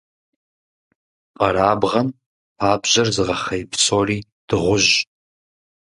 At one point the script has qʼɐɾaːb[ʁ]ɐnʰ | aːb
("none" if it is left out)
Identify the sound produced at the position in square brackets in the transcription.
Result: ʁ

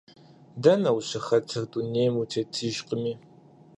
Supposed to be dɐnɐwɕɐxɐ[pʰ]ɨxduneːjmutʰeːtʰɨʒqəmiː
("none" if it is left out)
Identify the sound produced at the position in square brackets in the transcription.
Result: tʰ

